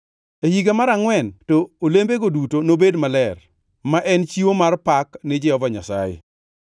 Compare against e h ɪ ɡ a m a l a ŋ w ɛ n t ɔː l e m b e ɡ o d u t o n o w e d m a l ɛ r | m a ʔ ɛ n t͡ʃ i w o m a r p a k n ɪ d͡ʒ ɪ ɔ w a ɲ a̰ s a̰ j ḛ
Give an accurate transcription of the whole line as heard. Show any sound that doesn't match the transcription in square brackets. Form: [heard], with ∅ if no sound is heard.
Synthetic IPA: e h [i] ɡ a m a [ɾ] a ŋ w ɛ n t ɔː l e m b e ɡ o d u t o n o [b] e d m a l ɛ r | m a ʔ ɛ n t͡ʃ i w o m a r p a k n ɪ d͡ʒ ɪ ɔ [v] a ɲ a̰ s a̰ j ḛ